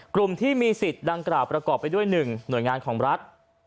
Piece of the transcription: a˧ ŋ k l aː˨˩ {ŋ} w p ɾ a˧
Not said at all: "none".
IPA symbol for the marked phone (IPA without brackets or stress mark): none